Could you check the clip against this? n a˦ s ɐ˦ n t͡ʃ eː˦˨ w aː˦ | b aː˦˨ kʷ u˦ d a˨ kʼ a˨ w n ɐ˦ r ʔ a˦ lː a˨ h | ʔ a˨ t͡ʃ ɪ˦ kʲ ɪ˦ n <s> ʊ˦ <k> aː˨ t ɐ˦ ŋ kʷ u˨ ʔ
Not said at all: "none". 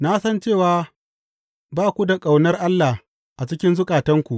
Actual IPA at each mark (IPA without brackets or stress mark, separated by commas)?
z, kʼ